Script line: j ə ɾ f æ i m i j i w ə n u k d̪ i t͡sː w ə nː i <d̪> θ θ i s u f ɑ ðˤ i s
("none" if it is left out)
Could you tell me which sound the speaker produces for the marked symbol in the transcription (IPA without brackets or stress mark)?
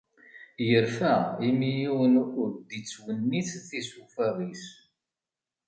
none